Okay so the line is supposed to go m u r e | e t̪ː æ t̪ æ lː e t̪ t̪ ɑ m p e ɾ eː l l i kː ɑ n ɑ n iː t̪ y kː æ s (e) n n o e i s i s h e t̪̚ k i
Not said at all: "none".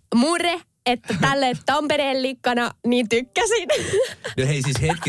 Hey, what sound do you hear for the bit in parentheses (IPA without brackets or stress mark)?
i